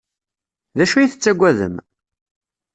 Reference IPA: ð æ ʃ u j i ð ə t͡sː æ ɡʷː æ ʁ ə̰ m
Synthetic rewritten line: ð æ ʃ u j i θ ə t͡sː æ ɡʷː æ ð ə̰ m